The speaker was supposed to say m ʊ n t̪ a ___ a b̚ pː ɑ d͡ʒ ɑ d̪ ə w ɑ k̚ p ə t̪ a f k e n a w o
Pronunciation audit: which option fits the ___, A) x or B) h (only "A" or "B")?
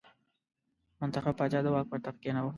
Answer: A